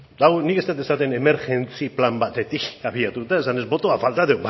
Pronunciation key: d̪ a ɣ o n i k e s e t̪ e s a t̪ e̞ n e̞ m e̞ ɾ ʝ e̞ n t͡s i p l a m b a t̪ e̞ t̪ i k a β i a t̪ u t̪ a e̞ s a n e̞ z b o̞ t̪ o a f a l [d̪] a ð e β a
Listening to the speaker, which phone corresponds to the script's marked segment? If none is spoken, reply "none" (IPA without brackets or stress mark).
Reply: t̪